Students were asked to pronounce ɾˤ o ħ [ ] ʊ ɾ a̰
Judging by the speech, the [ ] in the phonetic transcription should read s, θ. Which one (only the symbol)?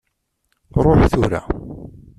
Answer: θ